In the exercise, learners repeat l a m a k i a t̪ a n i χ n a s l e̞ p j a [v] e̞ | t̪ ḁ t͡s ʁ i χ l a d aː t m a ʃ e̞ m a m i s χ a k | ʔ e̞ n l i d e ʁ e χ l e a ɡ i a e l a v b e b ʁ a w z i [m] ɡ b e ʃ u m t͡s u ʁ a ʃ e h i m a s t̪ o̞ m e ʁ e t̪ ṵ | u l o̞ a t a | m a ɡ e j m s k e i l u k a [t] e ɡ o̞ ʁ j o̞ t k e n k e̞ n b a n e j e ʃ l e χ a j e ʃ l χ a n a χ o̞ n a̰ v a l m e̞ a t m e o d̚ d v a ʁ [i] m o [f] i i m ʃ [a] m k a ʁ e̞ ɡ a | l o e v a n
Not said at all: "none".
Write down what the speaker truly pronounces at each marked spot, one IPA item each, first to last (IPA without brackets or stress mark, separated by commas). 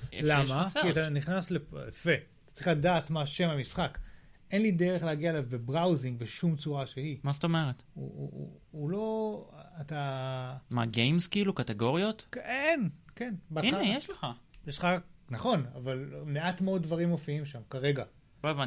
f, ŋ, t, i, f, a